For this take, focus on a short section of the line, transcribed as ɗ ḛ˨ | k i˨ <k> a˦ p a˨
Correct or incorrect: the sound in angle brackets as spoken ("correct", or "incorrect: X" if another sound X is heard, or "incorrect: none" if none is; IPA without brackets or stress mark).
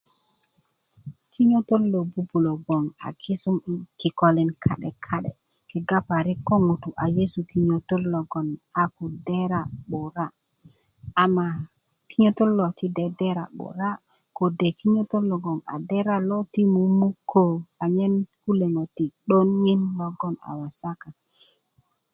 incorrect: ɡ